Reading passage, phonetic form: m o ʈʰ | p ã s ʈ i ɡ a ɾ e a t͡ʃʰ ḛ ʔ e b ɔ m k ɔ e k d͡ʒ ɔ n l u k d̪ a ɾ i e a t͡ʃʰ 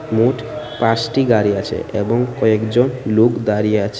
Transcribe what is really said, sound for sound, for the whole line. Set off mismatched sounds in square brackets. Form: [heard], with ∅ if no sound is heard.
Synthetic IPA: m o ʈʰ | p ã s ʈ i ɡ a ɾ [i] a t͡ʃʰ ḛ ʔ e b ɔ [ŋ] k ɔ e k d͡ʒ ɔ n l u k d̪ a ɾ i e a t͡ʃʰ